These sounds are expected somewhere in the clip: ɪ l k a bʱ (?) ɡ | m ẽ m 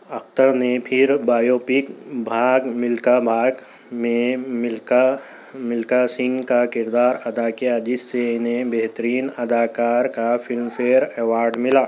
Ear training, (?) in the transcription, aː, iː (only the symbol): aː